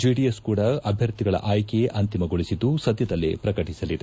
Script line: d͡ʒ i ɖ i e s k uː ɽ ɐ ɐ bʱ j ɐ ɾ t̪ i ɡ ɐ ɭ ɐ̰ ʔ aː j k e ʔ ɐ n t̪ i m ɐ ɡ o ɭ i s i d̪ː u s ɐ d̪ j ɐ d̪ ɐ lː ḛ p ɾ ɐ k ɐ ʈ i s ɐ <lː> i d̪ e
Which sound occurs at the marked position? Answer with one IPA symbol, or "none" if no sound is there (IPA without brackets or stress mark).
l